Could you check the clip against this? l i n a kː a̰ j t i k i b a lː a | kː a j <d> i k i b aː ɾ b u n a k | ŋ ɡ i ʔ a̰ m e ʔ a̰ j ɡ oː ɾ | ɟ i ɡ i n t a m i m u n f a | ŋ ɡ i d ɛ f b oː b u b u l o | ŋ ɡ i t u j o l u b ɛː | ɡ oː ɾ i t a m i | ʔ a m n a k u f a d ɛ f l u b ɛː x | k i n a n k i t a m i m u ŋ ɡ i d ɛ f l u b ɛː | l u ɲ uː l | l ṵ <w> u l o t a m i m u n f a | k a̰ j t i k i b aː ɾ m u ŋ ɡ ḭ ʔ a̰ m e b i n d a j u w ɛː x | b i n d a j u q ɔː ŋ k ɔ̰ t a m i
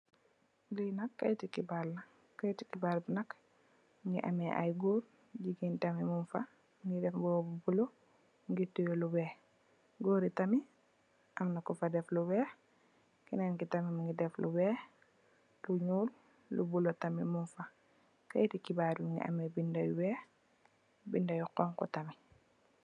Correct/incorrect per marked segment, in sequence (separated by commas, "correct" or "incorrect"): incorrect, incorrect